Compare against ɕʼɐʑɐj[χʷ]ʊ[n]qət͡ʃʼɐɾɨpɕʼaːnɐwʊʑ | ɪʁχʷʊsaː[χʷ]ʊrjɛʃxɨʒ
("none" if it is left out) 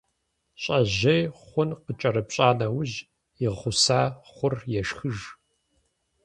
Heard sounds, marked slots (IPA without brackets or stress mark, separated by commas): χʷ, n, χʷ